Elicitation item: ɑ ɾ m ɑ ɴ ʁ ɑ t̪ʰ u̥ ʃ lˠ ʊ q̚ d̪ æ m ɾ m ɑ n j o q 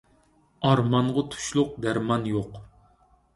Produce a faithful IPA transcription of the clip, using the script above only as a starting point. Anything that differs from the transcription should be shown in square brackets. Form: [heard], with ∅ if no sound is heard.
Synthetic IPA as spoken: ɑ ɾ m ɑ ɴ ʁ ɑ t̪ʰ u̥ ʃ lˠ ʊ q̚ d̪ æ [∅] ɾ m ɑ n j o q